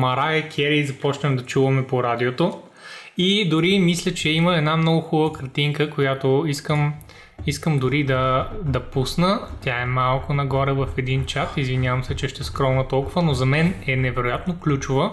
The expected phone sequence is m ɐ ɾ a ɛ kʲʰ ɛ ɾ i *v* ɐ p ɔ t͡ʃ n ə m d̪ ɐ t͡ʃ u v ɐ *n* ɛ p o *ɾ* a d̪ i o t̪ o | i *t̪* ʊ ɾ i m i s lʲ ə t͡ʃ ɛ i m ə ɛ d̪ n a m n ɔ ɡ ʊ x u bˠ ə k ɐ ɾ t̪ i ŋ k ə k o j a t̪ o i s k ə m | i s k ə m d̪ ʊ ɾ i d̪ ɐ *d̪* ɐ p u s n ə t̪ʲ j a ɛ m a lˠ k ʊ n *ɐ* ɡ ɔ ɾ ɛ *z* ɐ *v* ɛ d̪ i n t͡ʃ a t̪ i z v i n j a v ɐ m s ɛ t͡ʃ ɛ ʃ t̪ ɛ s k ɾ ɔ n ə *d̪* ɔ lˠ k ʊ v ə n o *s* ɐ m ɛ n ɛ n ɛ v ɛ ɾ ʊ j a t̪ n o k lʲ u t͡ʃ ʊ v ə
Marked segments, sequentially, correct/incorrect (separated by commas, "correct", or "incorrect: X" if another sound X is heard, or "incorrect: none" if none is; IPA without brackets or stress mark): incorrect: z, incorrect: m, correct, incorrect: d̪, correct, correct, incorrect: v, incorrect: f, incorrect: t̪, incorrect: z